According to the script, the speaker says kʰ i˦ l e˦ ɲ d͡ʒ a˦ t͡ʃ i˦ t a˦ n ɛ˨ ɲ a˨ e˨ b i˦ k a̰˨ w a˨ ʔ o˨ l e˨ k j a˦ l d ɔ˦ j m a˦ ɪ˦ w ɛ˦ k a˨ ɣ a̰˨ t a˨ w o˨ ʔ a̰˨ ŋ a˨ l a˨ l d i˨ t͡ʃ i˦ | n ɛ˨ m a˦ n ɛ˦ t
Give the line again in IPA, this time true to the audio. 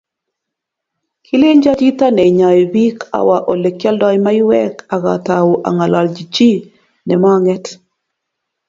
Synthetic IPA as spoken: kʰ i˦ l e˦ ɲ d͡ʒ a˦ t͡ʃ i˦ t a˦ n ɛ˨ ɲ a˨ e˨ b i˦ k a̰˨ w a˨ ʔ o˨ l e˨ k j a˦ l d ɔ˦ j m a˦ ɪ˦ w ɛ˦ k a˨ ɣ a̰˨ t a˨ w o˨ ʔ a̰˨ ŋ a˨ l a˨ l d͡ʒ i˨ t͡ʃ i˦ | n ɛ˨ m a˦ ŋ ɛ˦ t